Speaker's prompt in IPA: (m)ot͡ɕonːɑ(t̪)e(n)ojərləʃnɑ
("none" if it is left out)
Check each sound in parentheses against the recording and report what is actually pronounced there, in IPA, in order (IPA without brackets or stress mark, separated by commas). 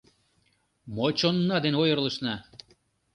m, d̪, n